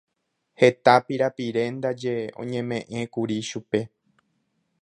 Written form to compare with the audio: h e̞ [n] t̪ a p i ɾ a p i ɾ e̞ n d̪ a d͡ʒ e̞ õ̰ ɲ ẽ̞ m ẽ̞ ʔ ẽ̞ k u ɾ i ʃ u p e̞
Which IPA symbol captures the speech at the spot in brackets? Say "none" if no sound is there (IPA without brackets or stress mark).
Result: none